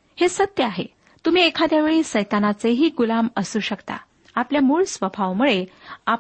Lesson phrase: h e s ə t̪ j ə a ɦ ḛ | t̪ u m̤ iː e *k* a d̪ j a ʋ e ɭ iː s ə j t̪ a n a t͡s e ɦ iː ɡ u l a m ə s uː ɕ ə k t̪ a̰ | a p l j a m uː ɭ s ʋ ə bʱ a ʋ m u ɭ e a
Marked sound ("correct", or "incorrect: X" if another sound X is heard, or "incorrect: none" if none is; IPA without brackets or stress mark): incorrect: kʰ